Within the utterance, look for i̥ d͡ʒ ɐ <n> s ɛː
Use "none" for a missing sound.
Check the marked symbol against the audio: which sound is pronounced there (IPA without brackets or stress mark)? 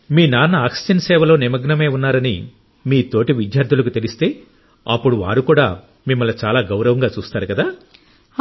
n